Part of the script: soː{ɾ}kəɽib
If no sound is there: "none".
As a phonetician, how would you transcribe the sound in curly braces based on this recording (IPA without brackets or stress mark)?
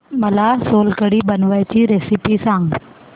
l